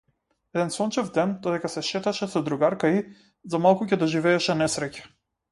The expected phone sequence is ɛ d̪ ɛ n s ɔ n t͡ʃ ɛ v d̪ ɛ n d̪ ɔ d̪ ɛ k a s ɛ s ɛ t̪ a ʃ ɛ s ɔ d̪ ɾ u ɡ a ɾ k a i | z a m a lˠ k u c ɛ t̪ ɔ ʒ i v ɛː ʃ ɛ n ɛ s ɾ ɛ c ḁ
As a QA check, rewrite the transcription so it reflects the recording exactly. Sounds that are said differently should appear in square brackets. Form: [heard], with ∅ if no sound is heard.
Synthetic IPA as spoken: ɛ d̪ ɛ n s ɔ n t͡ʃ ɛ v d̪ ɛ n d̪ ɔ d̪ ɛ k a s ɛ [ʃ] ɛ t̪ a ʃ ɛ s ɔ d̪ ɾ u ɡ a ɾ k a i | z a m a lˠ k u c ɛ [d̪] ɔ ʒ i v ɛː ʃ ɛ n ɛ s ɾ ɛ c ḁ